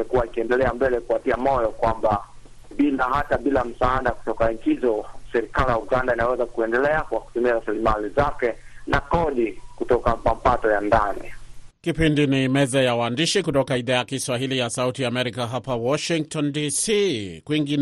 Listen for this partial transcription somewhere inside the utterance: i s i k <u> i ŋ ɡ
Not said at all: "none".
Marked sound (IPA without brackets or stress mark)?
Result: w